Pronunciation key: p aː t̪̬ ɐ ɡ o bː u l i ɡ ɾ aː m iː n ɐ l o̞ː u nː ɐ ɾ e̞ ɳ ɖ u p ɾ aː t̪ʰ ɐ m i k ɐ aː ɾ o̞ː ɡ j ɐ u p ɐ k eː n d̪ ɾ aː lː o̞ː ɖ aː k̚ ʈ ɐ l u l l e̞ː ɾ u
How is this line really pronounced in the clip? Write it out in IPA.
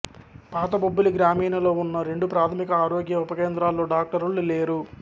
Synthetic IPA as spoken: p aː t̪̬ ɐ b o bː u l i ɡ ɾ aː m iː n ɐ l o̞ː u nː ɐ ɾ e̞ ɳ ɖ u p ɾ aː t̪ʰ ɐ m i k ɐ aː ɾ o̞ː ɡ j ɐ u p ɐ k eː n d̪ ɾ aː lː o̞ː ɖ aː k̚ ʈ ɐ ɾ u l l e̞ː ɾ u

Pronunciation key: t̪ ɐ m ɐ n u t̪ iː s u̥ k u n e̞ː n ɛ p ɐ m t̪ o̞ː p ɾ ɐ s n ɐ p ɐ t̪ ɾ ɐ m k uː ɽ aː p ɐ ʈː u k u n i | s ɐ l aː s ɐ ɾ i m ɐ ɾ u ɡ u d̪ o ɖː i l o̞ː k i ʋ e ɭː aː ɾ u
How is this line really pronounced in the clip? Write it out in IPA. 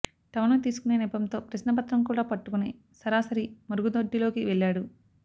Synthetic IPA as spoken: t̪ ɐ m ɐ n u t̪ iː s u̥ k u n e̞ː n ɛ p ɐ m t̪ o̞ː p ɾ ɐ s n ɐ p ɐ t̪ ɾ ɐ m k uː ɽ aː p ɐ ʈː u k u n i | s ɐ ɾ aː s ɐ ɾ i m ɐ ɾ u ɡ u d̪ o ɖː i l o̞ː k i ʋ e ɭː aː ɽ u

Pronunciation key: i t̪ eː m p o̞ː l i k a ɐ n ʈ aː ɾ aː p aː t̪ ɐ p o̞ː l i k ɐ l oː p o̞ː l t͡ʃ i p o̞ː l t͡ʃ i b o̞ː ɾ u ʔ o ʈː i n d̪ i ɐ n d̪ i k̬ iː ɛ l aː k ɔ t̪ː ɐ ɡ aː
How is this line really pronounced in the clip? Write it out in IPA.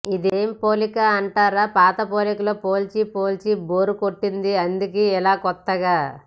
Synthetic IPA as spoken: i d̪ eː m p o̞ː l i k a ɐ ɳ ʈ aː ɾ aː p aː t̪ ɐ p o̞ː l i k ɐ l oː p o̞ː l t͡ʃ i p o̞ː l t͡ʃ i b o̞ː ɾ u k o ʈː i n d̪ i ɐ n d̪ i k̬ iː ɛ l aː k ɔ t̪ː ɐ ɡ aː

